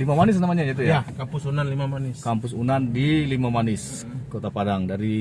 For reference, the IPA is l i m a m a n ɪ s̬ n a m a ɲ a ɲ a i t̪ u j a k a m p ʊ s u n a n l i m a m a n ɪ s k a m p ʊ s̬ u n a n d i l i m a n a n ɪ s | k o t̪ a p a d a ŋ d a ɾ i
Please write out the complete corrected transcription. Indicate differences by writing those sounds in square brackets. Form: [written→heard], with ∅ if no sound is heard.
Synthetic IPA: l i m a m a n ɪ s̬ n a m a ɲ a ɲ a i t̪ u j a k a m p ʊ s u n a n l i m a m a n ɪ s k a m p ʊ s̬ u n a n d i l i m a [n→m] a n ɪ s | k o t̪ a p a d a ŋ d a ɾ i